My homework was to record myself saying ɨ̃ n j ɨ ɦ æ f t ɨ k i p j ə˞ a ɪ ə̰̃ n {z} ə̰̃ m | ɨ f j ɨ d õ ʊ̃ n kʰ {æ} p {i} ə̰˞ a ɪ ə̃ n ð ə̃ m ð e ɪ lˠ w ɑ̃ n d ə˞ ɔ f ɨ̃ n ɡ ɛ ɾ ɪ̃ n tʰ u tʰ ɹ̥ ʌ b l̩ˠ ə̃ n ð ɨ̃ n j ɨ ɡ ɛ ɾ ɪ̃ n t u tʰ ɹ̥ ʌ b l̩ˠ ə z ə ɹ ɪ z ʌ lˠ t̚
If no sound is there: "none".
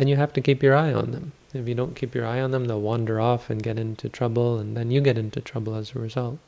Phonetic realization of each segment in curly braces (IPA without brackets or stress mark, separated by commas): ð, i, j